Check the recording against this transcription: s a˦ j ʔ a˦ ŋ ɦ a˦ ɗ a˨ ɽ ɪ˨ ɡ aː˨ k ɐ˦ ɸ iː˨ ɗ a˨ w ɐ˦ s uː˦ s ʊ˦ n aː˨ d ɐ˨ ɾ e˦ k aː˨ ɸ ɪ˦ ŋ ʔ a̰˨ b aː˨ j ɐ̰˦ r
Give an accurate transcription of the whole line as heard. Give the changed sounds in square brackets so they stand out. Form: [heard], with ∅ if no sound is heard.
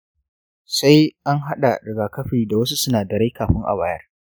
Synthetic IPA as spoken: s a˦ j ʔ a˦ ŋ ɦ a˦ ɗ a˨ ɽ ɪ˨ ɡ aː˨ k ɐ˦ ɸ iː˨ [d] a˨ w ɐ˦ s [u˦] s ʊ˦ n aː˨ d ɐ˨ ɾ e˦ k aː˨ ɸ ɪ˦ ŋ ʔ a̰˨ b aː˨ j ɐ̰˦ r